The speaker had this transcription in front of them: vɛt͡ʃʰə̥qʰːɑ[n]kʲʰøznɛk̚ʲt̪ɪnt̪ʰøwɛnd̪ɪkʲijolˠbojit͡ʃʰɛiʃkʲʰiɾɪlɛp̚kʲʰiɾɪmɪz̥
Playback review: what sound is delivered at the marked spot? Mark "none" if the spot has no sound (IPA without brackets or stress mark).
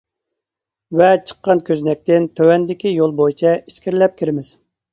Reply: n